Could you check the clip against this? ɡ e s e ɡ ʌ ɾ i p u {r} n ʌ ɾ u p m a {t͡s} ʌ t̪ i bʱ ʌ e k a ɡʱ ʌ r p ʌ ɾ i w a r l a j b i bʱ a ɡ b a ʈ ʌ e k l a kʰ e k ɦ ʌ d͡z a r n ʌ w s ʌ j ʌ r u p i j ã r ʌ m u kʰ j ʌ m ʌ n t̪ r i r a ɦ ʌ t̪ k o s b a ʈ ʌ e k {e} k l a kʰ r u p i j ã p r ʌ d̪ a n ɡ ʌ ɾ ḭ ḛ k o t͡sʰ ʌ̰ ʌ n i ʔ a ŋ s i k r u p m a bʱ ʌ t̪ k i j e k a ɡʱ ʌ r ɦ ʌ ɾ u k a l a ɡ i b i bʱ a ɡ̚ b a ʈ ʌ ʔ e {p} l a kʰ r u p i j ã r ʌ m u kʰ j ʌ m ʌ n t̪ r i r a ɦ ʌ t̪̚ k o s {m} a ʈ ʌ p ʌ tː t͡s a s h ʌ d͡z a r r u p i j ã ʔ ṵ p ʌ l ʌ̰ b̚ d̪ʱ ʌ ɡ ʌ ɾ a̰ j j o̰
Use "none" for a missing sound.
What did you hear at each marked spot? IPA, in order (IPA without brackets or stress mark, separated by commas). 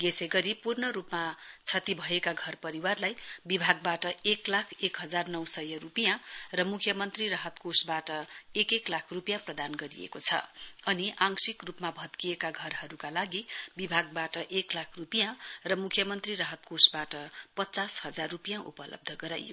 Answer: r, t͡sʰ, e, k, b